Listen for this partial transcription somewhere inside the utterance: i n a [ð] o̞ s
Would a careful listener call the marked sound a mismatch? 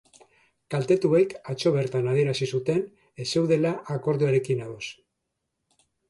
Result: no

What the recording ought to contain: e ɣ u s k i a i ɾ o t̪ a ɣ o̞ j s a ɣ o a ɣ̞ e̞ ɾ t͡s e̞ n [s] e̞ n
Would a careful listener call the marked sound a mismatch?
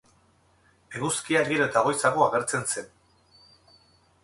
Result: no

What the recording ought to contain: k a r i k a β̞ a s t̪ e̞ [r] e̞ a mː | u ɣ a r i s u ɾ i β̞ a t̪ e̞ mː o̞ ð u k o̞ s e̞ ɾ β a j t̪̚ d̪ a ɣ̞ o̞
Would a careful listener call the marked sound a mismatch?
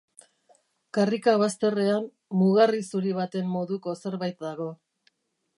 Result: no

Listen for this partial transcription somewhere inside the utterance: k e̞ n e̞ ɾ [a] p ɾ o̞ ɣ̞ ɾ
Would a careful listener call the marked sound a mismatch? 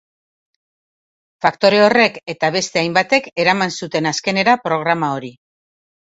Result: no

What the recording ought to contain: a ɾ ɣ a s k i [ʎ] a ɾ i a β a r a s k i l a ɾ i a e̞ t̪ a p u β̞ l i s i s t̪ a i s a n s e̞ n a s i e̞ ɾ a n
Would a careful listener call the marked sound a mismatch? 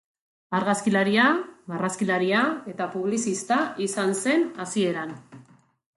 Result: yes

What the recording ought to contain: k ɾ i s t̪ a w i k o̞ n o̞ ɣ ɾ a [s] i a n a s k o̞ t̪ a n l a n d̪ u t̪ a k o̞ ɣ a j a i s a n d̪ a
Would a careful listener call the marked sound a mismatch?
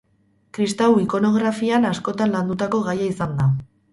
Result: yes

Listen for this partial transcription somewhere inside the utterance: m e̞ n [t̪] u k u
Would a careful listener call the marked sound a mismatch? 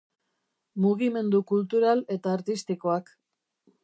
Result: yes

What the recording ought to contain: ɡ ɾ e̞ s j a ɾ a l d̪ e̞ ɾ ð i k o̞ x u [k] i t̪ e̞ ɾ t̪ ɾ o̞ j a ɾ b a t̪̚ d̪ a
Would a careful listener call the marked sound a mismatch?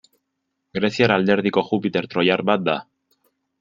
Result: yes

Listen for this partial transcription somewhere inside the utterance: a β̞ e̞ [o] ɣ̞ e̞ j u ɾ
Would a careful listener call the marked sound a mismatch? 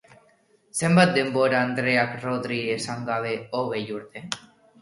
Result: no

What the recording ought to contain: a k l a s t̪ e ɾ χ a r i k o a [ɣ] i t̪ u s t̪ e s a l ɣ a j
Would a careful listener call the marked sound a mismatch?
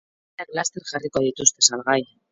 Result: yes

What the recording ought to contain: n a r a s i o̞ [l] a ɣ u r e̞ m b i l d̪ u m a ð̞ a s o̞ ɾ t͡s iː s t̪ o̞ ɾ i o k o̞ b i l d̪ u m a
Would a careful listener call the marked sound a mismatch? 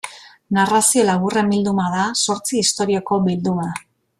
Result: no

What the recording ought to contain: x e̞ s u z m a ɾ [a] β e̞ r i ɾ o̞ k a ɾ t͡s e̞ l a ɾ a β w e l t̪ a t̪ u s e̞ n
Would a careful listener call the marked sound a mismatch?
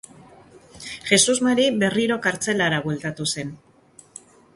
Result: yes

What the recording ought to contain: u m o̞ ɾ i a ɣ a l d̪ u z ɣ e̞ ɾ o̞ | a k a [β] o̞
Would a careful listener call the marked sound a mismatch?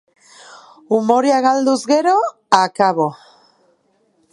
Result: no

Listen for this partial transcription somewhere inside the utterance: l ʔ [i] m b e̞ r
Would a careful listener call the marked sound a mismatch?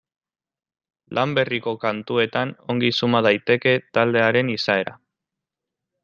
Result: yes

